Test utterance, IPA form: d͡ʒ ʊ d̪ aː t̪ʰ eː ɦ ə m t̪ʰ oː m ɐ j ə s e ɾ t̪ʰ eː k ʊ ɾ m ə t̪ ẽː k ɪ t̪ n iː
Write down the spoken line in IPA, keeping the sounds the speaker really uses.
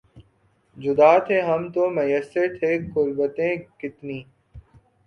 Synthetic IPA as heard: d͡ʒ ʊ d̪ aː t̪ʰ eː ɦ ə m t̪ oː m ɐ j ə s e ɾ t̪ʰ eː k ʊ ɾ b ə t̪ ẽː k ɪ t̪ n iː